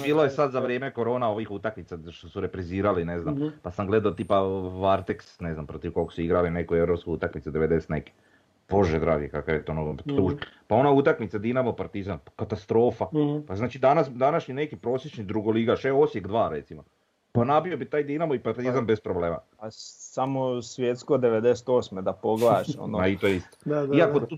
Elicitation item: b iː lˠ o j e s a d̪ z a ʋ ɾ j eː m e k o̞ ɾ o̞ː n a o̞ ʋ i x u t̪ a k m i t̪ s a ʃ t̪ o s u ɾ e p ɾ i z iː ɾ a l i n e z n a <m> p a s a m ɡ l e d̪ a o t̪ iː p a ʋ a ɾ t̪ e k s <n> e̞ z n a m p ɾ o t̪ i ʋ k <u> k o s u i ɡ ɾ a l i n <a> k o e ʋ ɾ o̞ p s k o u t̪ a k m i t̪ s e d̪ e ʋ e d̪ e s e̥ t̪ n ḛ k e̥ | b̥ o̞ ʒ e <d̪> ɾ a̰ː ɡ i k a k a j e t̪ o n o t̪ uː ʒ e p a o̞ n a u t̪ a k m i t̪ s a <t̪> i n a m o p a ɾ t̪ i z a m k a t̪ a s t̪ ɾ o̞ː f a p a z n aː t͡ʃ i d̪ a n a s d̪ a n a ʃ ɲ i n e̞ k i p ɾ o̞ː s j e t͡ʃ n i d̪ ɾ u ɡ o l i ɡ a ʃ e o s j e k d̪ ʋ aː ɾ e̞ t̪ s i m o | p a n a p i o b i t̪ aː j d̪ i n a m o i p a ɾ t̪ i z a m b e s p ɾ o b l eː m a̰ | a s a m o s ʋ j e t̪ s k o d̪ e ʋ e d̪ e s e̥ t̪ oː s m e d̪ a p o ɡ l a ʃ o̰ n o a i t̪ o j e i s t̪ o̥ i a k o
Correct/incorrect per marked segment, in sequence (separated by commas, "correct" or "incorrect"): correct, correct, incorrect, incorrect, correct, incorrect